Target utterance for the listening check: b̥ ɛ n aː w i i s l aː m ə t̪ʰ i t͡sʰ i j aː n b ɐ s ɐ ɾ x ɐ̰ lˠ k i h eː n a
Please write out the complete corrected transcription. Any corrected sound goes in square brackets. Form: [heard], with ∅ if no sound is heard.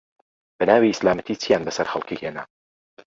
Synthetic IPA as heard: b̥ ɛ n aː w i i s l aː m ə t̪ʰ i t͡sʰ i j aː n b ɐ s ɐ ɾ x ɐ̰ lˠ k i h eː n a